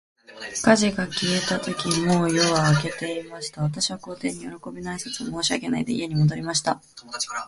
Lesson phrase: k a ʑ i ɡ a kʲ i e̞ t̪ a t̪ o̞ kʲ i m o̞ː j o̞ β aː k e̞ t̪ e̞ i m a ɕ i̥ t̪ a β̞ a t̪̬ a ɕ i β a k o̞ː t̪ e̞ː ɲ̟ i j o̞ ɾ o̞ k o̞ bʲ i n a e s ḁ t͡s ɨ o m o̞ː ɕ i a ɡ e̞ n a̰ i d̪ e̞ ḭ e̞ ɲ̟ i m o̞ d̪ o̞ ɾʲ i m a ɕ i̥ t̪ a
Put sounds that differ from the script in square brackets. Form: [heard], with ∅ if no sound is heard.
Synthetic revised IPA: k a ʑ i ɡ a kʲ i e̞ t̪ a t̪ o̞ kʲ i m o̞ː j o̞ β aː k e̞ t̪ e̞ i m a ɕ i̥ t̪ a β̞ a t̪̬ a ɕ i β a k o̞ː t̪ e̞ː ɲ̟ i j o̞ ɾ o̞ k o̞ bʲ i n a [i] s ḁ t͡s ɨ o m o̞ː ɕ i a ɡ e̞ n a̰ i d̪ e̞ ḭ e̞ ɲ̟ i m o̞ d̪ o̞ ɾʲ i m a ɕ i̥ t̪ a